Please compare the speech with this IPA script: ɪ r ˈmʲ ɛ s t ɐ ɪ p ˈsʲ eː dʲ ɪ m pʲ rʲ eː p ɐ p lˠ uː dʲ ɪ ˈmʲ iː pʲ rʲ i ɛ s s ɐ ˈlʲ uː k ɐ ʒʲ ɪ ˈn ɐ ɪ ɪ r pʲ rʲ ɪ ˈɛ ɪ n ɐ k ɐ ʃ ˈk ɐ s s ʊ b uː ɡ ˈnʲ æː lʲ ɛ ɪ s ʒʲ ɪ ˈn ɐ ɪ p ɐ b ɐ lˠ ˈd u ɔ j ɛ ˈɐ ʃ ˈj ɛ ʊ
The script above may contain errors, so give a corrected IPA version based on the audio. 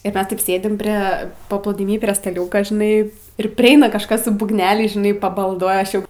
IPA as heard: ɪ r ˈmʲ ɛ s t ɐ ɪ p ˈsʲ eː dʲ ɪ m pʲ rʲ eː p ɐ p lˠ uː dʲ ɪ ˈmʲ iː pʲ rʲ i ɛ s t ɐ ˈlʲ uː k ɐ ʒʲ ɪ ˈn ɐ ɪ ɪ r pʲ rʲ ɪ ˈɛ ɪ n ɐ k ɐ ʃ ˈk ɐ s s ʊ b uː ɡ ˈnʲ æː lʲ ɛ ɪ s ʒʲ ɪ ˈn ɐ ɪ p ɐ b ɐ lˠ ˈd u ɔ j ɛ ˈɐ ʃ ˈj ɛ ʊ